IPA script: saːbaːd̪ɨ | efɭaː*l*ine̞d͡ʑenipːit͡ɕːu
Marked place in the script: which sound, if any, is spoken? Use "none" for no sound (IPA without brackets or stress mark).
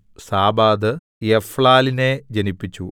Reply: l